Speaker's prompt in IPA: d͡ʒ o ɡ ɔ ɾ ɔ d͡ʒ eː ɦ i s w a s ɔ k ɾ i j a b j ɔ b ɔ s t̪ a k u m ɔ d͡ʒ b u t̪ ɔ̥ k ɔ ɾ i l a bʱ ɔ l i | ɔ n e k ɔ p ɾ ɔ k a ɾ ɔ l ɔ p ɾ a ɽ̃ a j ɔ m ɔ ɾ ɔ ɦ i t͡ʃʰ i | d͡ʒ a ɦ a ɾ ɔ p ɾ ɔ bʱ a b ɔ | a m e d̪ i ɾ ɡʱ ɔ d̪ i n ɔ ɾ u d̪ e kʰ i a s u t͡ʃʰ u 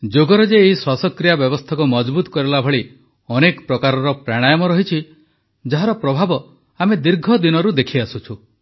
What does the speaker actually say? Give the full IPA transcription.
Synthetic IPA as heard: d͡ʒ o ɡ ɔ ɾ ɔ d͡ʒ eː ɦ i s w a s ɔ k ɾ i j a b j ɔ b ɔ s t̪ʰ a k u m ɔ d͡ʒ b u t̪ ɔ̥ k ɔ ɾ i l a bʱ ɔ ɭ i | ɔ n e k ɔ p ɾ ɔ k a ɾ ɔ ɾ ɔ p ɾ a ɽ̃ a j ɔ m ɔ ɾ ɔ ɦ i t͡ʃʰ i | d͡ʒ a ɦ a ɾ ɔ p ɾ ɔ bʱ a b ɔ | a m e d̪ i ɾ ɡʱ ɔ d̪ i n ɔ ɾ u d̪ e kʰ i a s u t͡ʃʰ u